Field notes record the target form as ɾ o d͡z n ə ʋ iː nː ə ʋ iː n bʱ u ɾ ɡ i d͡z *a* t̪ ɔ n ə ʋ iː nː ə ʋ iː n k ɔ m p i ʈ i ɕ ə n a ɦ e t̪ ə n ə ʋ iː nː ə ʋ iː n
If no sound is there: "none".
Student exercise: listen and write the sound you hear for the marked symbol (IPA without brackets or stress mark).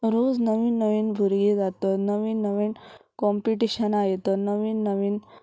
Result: a